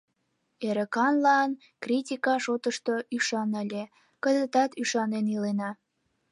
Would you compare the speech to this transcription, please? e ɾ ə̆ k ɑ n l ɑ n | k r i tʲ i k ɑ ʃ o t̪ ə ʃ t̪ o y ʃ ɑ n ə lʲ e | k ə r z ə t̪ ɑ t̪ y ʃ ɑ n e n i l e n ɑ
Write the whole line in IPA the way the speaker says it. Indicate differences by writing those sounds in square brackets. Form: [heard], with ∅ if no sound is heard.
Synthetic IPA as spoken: e ɾ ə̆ k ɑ n l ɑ n | k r i tʲ i k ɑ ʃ o t̪ ə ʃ t̪ o y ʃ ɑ n ə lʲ e | k ə [∅] z ə t̪ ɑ t̪ y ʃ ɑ n e n i l e n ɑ